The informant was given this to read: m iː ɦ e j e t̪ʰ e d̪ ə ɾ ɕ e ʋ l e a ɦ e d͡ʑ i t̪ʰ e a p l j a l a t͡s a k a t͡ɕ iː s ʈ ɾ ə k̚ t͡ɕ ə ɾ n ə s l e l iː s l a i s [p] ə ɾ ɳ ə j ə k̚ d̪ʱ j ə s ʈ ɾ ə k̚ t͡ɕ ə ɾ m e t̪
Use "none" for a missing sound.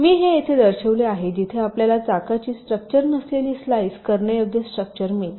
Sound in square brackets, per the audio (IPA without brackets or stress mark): k